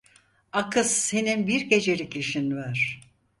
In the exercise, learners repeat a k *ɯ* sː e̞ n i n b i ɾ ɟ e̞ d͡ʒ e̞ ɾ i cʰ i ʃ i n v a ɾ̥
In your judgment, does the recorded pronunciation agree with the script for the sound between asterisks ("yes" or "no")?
yes